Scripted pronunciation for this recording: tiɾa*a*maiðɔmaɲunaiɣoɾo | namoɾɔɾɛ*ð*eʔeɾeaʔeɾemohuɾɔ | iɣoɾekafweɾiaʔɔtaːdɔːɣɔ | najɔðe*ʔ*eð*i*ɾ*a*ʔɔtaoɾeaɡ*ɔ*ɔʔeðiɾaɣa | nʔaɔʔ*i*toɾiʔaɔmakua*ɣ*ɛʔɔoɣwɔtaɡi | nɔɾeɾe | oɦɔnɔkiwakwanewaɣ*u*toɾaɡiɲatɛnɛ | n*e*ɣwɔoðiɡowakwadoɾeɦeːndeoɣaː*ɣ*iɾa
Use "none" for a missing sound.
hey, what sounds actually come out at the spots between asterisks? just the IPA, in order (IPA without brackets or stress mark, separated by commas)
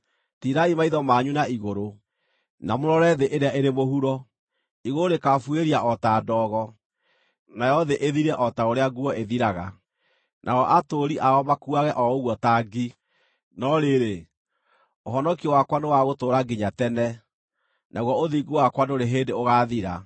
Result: i, ð, ʔ, i, ɛ, u, a, ɣ, o, a, ð